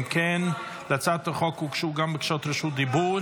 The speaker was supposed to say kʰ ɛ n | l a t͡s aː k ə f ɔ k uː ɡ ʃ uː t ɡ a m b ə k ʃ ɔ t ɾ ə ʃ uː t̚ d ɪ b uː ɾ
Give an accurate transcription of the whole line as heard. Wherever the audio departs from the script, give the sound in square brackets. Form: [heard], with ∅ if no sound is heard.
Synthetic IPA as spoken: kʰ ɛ n | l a t͡s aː [t] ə [χ] ɔ k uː [k] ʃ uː [∅] ɡ a m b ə k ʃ ɔ t ɾ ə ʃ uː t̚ d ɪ b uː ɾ